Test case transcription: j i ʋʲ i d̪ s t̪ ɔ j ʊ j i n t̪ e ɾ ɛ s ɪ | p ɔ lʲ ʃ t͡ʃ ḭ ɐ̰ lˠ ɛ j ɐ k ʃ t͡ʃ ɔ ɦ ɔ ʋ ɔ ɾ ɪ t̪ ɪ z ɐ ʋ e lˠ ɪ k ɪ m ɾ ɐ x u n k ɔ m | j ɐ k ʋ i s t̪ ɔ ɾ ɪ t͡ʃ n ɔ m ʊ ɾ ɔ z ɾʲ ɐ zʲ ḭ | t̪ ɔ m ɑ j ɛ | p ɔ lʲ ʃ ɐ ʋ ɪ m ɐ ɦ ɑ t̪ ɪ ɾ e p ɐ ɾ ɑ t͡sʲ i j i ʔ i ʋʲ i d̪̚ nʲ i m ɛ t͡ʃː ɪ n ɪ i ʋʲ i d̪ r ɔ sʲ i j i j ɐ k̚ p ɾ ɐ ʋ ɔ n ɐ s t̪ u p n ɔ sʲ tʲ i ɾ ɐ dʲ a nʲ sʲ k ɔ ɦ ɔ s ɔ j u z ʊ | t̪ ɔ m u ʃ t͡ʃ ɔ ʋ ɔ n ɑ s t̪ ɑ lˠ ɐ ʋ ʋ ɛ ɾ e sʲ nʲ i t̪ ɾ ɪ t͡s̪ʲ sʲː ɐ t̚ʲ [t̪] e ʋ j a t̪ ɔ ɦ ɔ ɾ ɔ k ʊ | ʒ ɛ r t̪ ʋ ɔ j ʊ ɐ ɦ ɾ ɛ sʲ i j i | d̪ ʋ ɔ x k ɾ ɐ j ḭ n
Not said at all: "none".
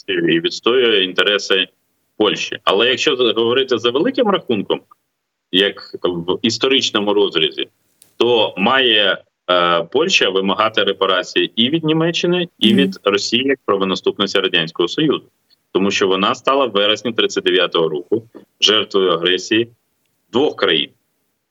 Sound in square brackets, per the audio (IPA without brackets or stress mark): d̪